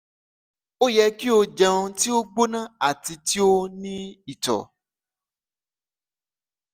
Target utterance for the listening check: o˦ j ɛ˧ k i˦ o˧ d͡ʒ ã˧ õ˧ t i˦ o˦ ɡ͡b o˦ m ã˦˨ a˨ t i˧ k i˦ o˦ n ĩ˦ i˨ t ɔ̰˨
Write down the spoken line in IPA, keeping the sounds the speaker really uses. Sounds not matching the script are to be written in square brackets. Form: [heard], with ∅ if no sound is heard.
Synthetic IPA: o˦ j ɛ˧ k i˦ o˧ d͡ʒ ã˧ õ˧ t i˦ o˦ ɡ͡b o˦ [n] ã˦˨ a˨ t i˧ [t] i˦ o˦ n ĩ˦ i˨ t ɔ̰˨